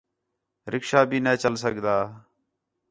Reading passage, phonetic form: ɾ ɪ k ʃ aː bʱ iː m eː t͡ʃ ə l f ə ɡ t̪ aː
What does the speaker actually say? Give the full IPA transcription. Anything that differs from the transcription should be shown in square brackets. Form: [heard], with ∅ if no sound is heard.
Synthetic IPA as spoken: ɾ ɪ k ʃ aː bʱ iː [n] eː t͡ʃ ə l [s] ə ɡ [d̪] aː